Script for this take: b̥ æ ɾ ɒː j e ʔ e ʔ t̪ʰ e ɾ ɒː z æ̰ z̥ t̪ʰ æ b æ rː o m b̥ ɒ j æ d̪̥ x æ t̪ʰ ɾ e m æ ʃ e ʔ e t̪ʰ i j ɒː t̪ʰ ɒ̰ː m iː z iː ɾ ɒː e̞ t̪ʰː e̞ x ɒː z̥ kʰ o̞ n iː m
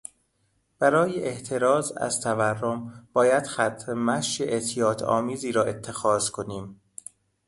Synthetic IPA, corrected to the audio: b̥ æ ɾ ɒː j e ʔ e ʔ t̪ʰ e ɾ ɒː z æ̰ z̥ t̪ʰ æ v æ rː o m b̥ ɒː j æ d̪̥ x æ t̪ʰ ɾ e m æ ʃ e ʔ e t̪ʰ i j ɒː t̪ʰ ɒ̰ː m iː z iː ɾ ɒː e̞ t̪ʰː e̞ x ɒː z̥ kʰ o̞ n iː m